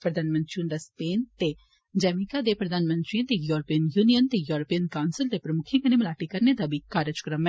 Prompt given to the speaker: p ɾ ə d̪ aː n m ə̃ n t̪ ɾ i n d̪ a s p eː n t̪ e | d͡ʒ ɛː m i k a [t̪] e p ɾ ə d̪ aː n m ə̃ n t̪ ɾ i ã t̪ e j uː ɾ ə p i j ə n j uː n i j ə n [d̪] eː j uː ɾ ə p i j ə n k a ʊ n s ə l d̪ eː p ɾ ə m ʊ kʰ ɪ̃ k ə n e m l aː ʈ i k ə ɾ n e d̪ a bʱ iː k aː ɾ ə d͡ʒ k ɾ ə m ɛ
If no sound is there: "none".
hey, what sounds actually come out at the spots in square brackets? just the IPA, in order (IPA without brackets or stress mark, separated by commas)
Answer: d̪, t̪